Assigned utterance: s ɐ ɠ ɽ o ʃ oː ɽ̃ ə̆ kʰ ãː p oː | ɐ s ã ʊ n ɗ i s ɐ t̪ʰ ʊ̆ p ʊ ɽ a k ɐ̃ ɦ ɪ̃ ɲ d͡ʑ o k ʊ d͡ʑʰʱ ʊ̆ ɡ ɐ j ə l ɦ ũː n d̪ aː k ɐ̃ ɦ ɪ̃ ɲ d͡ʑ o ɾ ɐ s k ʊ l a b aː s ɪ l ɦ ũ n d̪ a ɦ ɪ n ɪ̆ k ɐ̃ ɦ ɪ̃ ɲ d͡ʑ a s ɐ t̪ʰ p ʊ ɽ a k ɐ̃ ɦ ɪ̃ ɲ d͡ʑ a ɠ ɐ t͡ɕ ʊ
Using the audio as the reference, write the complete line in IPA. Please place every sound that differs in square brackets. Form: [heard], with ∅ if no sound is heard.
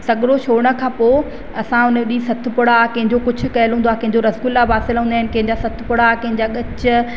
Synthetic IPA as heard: s ɐ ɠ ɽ o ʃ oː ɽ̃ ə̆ kʰ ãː p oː | ɐ s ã ʊ n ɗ i s ɐ t̪ʰ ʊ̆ p ʊ ɽ a k ɐ̃ ɦ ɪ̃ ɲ d͡ʑ o k ʊ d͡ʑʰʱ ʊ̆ [k] ɐ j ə l ɦ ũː n d̪ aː k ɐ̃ ɦ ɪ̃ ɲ d͡ʑ o ɾ ɐ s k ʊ l a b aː s ɪ l ɦ ũ n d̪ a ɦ ɪ n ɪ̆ k ɐ̃ ɦ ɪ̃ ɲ d͡ʑ a s ɐ t̪ʰ p ʊ ɽ a k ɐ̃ ɦ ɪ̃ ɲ d͡ʑ a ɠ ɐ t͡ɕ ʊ